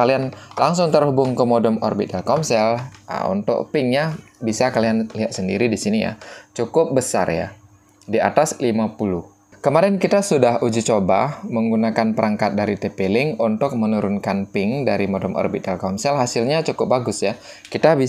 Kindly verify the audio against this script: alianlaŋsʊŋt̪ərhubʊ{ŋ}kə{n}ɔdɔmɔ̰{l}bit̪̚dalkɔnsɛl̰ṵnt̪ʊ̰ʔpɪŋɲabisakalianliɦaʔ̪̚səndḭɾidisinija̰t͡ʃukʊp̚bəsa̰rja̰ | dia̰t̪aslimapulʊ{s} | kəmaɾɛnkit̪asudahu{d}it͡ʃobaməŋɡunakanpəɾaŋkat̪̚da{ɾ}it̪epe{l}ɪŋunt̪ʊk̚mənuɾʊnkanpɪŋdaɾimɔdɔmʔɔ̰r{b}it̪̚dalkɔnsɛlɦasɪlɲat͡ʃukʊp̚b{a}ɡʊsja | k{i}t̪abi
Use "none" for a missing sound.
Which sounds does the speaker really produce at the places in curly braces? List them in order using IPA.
ŋ, m, r, h, d͡ʒ, ɾ, l, b, a, i

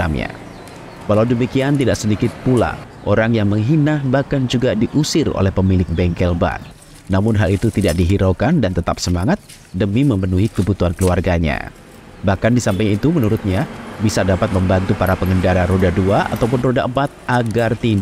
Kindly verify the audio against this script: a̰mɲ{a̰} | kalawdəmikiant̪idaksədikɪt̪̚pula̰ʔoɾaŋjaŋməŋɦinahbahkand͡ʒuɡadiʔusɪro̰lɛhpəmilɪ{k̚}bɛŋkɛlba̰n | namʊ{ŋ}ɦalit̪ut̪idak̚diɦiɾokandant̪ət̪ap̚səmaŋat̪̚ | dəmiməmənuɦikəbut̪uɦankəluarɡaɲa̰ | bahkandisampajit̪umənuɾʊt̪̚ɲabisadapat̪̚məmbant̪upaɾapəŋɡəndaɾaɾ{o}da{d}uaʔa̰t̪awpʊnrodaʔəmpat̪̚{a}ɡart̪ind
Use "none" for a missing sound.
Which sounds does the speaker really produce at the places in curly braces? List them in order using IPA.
a̰, k̚, n, o, d, a

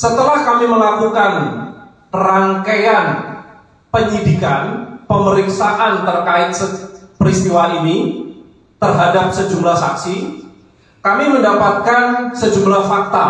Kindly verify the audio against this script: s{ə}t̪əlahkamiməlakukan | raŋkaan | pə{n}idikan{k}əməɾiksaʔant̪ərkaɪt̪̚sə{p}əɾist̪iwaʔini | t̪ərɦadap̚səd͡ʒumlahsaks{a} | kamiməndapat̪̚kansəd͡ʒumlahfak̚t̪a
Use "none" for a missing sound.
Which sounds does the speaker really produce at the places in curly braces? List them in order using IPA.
ə, ɲ, p, p, i

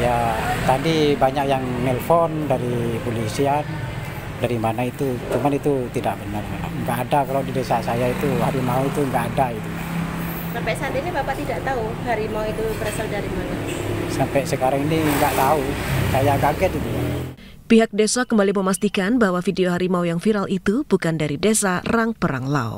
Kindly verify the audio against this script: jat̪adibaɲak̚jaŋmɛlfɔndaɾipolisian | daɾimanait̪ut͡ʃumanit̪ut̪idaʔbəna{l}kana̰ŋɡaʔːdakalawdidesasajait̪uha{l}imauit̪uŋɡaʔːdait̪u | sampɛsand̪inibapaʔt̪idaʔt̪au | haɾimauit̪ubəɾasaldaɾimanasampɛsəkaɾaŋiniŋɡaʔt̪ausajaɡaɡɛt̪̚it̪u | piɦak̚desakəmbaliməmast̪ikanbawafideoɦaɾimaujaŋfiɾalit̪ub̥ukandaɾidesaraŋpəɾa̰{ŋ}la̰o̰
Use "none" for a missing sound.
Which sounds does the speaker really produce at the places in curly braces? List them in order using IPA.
r, ɾ, ŋ

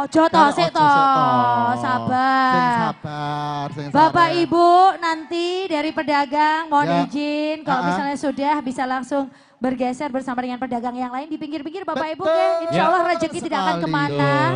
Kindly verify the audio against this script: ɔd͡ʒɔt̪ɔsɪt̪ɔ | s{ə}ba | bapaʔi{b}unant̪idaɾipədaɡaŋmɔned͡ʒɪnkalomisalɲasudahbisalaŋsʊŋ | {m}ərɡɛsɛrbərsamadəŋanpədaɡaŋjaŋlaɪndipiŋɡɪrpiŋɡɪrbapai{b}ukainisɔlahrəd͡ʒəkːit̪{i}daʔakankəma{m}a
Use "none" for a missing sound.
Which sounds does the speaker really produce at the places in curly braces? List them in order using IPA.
a, b, b, b, i, n

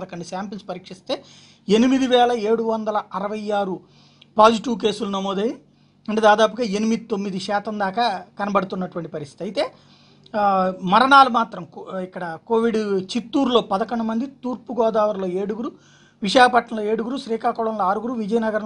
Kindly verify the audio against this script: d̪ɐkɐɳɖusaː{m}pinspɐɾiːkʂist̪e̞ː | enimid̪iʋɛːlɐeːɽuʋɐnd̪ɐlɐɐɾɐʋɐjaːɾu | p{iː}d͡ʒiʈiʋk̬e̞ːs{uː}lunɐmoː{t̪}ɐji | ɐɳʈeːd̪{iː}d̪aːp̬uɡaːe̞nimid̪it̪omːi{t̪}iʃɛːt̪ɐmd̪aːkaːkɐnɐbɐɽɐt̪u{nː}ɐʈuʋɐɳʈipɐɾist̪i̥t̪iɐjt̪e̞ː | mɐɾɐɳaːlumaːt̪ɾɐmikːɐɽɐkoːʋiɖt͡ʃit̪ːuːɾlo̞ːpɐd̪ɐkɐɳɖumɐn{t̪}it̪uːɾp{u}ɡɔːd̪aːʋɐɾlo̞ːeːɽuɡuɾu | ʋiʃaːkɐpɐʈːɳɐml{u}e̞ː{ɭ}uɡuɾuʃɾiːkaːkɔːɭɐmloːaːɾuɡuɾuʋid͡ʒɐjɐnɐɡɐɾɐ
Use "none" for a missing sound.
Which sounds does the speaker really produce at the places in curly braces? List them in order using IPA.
m, aː, u, d̪, aː, d̪, nː, d̪, u, o, ɽ

